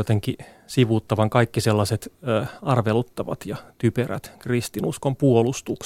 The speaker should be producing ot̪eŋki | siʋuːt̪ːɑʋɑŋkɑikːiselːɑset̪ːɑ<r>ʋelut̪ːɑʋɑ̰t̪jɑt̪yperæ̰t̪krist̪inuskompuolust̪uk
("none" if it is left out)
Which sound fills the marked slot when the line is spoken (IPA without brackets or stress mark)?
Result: r